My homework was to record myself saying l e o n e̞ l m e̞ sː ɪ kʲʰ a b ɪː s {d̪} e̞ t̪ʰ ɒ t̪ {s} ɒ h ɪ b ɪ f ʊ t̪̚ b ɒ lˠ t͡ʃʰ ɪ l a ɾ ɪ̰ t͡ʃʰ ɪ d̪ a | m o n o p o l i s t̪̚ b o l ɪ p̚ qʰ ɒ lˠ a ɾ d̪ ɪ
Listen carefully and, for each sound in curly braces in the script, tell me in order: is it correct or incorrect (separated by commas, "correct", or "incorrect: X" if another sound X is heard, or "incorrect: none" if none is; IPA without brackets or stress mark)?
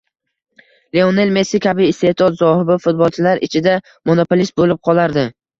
incorrect: t̪, incorrect: z